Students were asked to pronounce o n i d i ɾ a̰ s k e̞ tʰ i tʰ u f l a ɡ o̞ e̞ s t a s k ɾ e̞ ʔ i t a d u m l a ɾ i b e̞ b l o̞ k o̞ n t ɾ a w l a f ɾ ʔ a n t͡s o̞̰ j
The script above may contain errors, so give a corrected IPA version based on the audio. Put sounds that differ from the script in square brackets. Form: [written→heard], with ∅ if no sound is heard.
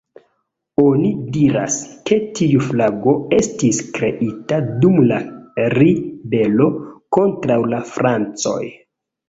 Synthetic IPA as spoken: o n i d i ɾ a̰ s k e̞ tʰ i [tʰ→∅] u f l a ɡ o̞ e̞ s t [a→i] s k ɾ e̞ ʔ i t a d u m l a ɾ i b e̞ [b→∅] l o̞ k o̞ n t ɾ a w l a f ɾ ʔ a n t͡s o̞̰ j